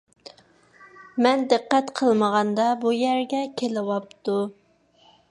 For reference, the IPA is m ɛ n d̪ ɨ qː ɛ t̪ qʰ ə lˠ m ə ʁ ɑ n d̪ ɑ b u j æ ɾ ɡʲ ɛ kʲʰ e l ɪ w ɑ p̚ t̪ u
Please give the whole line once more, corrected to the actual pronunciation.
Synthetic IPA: m ɛ n d̪ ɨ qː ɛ t̪ qʰ ə lˠ m ə ʁ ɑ n d̪ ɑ b u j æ ɾ ɡʲ ɛ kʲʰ e l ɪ w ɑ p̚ t̪ u